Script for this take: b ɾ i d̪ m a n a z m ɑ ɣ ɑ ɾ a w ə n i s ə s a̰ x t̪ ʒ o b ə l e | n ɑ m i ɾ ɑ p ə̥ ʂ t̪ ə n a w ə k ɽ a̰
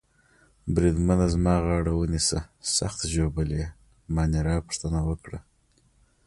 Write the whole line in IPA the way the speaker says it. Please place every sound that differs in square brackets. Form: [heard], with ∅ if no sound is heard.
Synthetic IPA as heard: b ɾ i d̪ m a n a z m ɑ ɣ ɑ [ɽ] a w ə n i s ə s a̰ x t̪ ʒ o b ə l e | [m] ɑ [n] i ɾ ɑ p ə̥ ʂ t̪ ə n a w ə k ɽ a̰